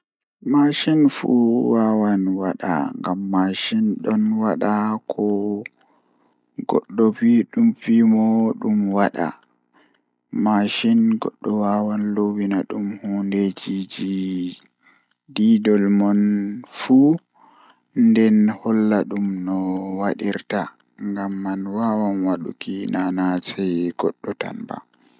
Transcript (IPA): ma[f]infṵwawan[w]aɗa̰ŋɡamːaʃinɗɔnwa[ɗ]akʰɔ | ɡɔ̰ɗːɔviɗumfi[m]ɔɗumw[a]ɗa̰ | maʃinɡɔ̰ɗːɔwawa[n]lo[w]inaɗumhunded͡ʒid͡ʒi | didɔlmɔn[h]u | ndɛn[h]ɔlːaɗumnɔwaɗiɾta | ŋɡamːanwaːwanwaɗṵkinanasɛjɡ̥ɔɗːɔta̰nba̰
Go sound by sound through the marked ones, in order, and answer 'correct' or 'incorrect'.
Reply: incorrect, correct, correct, correct, correct, correct, correct, incorrect, correct

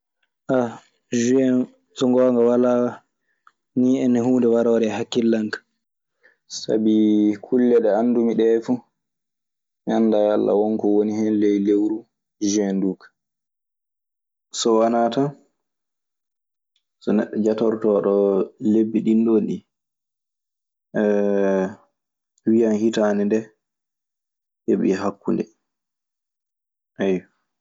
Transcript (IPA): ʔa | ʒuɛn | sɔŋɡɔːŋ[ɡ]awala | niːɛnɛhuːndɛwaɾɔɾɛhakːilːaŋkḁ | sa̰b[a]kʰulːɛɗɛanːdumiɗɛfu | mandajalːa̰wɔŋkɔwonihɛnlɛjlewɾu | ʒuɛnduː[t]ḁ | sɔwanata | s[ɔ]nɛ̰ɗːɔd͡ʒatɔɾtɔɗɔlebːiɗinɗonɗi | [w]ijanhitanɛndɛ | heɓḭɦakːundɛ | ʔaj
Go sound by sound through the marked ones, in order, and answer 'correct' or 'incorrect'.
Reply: correct, incorrect, incorrect, correct, correct

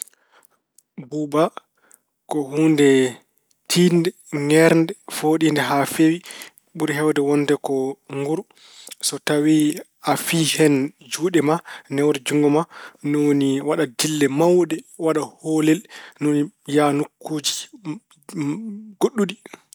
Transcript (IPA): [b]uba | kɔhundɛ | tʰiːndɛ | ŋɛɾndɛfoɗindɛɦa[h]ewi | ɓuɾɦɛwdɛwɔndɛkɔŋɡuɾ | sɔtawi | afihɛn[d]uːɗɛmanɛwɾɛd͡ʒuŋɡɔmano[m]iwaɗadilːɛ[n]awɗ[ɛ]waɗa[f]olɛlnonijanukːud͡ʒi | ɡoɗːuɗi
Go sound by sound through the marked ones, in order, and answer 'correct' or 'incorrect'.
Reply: correct, incorrect, incorrect, incorrect, incorrect, correct, incorrect

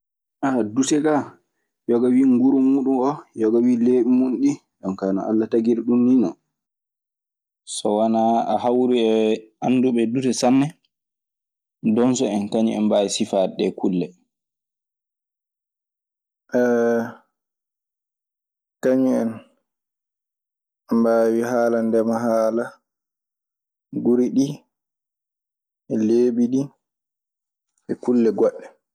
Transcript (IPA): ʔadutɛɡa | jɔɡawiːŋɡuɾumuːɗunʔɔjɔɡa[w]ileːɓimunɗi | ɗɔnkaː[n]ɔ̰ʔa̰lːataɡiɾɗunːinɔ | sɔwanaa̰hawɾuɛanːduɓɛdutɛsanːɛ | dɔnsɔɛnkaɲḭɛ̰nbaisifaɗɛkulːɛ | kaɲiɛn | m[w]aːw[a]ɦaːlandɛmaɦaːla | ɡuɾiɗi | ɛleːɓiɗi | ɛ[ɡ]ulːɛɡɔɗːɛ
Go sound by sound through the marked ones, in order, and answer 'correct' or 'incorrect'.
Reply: correct, correct, incorrect, incorrect, incorrect

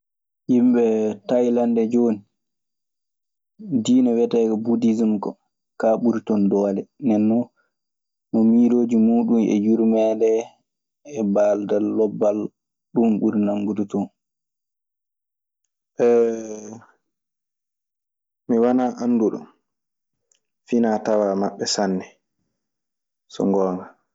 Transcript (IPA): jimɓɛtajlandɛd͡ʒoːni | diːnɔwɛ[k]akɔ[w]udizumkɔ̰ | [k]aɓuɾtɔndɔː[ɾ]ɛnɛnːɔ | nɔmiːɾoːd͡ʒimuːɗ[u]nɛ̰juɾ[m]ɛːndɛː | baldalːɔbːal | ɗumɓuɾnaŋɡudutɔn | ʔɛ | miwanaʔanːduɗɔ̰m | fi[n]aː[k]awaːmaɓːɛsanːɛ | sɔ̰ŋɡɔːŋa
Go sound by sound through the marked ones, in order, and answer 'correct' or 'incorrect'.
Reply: incorrect, incorrect, correct, incorrect, correct, correct, correct, incorrect

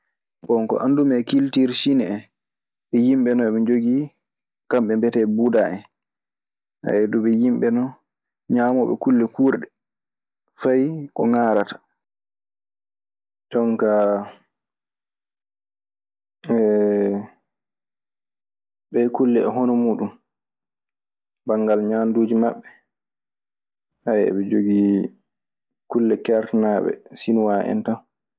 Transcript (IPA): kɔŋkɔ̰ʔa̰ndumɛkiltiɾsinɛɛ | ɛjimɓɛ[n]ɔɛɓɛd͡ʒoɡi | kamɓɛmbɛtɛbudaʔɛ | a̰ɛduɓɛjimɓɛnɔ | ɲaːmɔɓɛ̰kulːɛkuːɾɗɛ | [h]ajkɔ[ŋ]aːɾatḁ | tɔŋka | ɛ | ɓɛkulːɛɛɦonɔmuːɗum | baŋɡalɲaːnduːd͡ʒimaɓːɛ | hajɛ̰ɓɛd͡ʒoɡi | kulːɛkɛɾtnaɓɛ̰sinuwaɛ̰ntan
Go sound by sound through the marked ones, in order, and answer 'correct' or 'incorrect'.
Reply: correct, incorrect, correct

